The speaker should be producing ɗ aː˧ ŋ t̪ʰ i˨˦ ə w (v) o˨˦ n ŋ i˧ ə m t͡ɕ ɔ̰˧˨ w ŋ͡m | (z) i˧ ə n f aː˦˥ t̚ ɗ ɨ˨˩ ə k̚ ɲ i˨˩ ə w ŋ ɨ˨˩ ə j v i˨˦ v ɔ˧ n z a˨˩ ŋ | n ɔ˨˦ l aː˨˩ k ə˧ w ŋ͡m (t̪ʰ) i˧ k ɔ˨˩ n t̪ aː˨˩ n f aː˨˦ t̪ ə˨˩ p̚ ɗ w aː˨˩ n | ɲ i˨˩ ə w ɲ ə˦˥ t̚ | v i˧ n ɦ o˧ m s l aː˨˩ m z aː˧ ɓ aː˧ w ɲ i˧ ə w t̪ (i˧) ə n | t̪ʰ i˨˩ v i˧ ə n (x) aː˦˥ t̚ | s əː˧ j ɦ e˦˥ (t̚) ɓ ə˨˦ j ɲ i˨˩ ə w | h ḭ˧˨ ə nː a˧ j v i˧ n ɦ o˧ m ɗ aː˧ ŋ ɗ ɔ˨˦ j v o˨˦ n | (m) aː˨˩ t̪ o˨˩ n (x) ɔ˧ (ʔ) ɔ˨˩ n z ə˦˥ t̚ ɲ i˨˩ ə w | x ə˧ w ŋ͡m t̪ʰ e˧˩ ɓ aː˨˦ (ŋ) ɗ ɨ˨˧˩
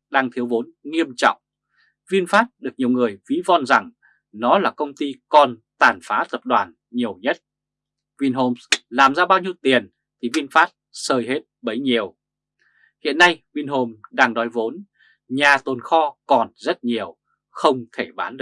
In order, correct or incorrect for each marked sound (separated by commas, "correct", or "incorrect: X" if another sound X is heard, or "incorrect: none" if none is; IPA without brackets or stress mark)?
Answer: correct, incorrect: v, incorrect: t̪, incorrect: i˨˩, incorrect: f, correct, incorrect: ɲ, correct, incorrect: k, incorrect: n